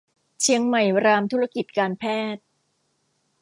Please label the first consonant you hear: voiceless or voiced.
voiceless